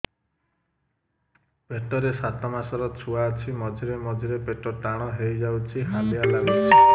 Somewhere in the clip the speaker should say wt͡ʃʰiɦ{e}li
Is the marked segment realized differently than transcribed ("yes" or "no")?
yes